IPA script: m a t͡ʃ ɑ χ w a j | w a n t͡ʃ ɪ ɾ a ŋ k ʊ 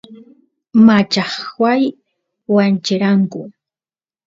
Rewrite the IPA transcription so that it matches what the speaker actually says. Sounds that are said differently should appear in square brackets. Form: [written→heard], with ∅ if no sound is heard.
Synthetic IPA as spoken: m a t͡ʃ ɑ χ w a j | w a n t͡ʃ ɪ ɾ a ŋ k ʊ